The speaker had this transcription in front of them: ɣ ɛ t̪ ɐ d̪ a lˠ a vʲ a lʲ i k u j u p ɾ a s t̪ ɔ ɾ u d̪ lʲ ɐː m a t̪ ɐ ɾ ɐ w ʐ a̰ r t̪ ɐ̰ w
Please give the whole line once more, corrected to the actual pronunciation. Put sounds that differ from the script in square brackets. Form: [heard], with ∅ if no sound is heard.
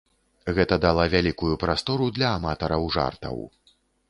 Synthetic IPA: ɣ ɛ t̪ ɐ d̪ a lˠ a vʲ a lʲ i k u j u p ɾ a s t̪ ɔ ɾ u d̪ lʲ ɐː m a t̪ ɐ ɾ ɐ w ʐ a̰ r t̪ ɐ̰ w